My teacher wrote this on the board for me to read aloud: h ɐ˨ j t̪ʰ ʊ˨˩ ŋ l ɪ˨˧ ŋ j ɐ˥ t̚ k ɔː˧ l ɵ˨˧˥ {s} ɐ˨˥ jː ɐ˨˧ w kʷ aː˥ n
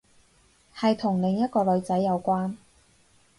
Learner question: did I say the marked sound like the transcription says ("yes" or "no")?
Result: no